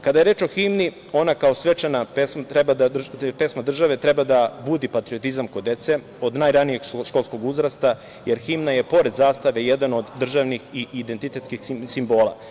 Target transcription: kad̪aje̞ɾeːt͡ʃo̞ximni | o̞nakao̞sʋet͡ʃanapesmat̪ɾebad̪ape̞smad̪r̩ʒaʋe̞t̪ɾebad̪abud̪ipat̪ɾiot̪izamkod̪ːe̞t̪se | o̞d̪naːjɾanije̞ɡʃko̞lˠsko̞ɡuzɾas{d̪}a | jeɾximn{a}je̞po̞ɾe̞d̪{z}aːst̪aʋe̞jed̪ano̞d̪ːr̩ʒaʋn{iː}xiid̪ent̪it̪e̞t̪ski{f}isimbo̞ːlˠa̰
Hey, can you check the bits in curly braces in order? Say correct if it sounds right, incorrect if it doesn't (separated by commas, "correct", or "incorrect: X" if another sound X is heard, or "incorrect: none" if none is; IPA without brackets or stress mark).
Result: incorrect: t̪, correct, correct, incorrect: i, incorrect: x